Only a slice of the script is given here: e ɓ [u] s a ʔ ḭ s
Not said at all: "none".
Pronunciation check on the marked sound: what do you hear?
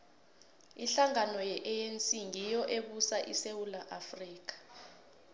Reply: u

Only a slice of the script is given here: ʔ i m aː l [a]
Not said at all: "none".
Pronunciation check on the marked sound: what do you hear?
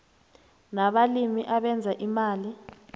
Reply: i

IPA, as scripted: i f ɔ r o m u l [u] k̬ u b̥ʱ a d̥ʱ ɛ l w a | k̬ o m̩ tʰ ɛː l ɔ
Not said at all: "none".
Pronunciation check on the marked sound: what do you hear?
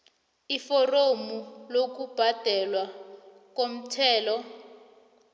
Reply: o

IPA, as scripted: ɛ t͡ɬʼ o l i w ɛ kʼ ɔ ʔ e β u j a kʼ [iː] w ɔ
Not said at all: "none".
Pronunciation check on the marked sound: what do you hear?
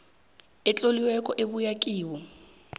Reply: iː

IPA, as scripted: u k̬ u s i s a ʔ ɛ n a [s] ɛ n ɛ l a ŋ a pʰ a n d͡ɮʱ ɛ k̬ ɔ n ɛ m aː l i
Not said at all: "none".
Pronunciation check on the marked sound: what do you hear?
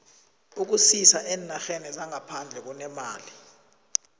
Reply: x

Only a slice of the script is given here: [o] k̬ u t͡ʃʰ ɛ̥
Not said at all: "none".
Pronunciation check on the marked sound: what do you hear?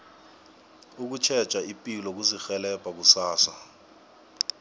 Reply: u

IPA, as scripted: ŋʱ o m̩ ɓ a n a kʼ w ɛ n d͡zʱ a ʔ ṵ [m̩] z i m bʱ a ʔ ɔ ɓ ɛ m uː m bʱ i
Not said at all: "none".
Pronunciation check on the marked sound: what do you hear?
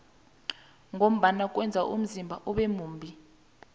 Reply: m̩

